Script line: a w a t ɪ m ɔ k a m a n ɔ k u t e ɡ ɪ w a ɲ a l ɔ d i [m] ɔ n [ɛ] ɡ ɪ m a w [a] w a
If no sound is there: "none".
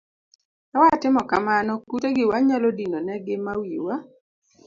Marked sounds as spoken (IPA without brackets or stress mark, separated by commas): n, ɛ, i